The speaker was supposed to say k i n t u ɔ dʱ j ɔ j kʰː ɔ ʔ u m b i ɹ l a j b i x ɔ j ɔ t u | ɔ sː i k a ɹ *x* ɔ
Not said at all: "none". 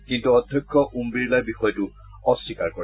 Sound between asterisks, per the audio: k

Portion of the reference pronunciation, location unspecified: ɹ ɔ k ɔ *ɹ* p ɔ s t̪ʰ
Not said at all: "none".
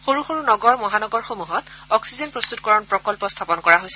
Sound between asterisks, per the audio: l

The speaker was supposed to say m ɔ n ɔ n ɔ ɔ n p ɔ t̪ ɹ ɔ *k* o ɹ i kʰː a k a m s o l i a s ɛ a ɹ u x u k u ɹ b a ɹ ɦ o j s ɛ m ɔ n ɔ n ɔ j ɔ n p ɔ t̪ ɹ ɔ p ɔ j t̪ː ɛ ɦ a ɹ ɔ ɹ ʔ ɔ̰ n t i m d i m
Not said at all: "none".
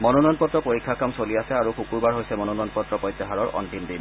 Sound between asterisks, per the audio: p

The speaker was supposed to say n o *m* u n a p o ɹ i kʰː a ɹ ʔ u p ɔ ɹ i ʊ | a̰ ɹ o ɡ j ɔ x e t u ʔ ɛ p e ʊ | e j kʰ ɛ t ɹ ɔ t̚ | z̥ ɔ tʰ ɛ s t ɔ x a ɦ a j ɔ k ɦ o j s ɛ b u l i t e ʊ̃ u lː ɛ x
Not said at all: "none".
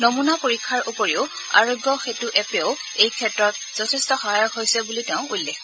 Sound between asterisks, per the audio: m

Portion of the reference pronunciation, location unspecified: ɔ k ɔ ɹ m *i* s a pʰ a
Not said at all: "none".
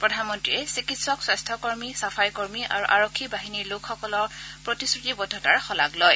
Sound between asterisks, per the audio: i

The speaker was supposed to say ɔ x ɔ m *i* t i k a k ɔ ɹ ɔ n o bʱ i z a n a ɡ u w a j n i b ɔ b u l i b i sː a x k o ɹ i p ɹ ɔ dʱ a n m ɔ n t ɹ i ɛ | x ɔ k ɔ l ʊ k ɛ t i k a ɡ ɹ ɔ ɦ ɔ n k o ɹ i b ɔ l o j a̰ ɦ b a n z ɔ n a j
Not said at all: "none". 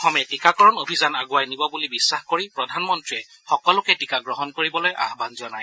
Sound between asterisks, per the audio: ɛ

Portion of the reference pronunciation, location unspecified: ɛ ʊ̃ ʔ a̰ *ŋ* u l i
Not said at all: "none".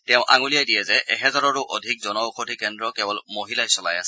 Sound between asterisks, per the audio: ŋ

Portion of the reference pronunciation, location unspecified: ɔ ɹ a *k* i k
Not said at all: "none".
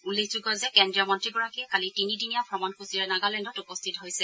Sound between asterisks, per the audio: k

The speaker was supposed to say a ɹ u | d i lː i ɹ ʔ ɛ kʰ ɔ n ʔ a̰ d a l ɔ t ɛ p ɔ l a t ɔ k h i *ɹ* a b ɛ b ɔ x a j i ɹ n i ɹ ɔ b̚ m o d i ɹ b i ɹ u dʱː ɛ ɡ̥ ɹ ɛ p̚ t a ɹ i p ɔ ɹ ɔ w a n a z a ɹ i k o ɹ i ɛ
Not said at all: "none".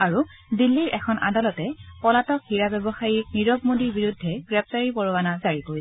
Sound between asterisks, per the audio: ɹ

